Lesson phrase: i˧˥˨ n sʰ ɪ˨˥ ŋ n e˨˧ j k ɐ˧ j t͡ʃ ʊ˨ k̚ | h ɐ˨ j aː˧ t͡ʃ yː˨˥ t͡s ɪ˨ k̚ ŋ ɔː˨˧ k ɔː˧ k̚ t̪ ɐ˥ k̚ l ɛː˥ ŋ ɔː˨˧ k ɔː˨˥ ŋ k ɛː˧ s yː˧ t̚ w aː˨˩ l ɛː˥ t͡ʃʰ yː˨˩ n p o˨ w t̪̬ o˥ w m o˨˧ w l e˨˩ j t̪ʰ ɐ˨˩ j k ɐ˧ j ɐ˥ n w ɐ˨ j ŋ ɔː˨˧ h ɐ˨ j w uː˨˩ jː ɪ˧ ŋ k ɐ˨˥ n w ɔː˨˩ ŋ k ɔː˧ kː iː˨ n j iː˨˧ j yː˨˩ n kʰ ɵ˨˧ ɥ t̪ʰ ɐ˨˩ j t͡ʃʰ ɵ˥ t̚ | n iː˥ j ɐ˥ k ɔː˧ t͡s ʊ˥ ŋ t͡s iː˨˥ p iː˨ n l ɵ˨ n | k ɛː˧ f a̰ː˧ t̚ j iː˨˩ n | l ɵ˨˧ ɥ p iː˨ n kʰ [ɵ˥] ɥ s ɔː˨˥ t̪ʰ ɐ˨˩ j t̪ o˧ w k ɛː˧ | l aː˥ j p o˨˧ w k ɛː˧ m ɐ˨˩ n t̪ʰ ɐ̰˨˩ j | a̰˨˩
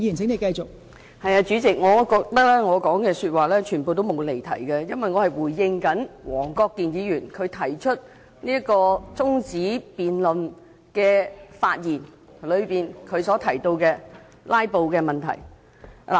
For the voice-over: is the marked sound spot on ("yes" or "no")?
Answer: no